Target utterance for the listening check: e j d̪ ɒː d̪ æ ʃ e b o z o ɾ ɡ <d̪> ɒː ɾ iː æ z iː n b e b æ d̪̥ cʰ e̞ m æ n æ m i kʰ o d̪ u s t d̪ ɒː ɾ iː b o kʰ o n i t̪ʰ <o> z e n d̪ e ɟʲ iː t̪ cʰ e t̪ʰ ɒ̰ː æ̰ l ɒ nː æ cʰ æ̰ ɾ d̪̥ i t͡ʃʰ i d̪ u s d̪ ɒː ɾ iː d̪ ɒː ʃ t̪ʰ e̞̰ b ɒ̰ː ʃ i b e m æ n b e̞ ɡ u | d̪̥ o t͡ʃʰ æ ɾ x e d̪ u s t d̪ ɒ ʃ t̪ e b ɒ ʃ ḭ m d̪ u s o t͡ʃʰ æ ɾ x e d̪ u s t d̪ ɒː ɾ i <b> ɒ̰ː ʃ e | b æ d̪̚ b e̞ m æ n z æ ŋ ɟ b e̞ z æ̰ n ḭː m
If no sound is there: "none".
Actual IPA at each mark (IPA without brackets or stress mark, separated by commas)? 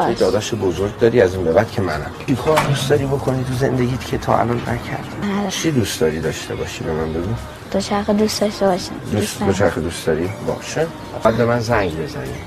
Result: d̪, u, b